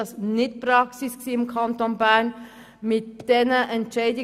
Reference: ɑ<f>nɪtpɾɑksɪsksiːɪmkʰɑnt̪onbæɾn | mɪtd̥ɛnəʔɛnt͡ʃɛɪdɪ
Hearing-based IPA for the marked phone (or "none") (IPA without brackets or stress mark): s